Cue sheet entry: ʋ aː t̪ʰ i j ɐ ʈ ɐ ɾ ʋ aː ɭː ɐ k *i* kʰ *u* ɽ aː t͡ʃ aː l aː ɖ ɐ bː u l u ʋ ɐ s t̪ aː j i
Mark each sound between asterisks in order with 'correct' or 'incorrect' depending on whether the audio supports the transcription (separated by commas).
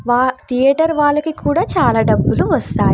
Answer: correct, incorrect